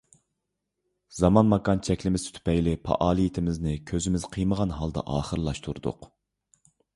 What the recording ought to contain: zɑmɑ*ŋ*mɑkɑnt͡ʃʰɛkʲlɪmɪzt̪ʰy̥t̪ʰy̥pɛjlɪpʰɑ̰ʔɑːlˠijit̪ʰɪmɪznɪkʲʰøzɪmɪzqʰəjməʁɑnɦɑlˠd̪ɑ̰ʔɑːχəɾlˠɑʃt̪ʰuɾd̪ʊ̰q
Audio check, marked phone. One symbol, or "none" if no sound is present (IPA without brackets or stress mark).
n